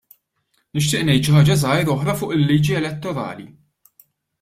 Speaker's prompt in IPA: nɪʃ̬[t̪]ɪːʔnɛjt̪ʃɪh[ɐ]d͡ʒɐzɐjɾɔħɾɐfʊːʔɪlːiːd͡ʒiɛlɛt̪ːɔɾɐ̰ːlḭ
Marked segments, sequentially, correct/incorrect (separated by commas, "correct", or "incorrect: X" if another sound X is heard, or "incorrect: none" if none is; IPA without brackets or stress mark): correct, incorrect: ɐː